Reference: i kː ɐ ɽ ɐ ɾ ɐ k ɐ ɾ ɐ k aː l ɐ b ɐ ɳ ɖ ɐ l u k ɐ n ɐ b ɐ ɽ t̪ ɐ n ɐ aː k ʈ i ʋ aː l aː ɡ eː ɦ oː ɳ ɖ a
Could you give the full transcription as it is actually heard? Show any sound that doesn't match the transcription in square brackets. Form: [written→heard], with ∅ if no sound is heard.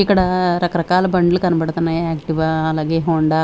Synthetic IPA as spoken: i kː ɐ ɽ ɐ ɾ ɐ k ɐ ɾ ɐ k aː l ɐ b ɐ ɳ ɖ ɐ l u k ɐ n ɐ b ɐ ɽ t̪ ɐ n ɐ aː k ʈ i ʋ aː l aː ɡ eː ɦ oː ɳ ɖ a